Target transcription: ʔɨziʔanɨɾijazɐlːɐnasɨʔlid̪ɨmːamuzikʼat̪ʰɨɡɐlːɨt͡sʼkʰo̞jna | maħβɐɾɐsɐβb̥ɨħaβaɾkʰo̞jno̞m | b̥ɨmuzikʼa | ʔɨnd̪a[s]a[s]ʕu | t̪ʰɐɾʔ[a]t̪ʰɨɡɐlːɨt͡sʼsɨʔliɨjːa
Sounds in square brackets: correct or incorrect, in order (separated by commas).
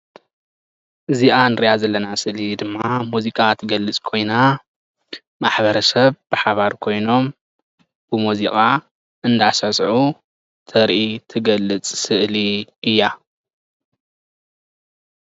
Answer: correct, correct, incorrect